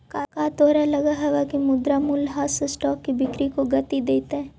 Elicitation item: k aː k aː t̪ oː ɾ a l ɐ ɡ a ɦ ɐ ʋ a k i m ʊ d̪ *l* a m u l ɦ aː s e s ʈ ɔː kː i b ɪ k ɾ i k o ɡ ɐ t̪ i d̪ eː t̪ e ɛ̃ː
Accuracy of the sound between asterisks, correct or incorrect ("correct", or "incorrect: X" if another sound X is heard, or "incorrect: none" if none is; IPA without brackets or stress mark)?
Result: incorrect: ɾ